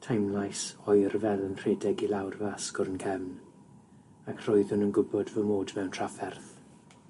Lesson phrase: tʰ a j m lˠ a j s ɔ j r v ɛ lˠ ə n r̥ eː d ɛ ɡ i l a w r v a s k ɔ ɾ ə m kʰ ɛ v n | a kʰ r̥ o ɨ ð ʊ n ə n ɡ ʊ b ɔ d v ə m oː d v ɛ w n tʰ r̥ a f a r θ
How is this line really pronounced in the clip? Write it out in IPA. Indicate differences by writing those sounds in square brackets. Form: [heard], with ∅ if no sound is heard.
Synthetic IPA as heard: tʰ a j m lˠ a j s ɔ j r v ɛ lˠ ə n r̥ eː d ɛ ɡ i l a w r v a s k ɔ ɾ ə [n] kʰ ɛ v n | a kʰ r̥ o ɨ ð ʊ n ə n ɡ ʊ b ɔ d v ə m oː d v ɛ w n tʰ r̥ a f [ɛ] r θ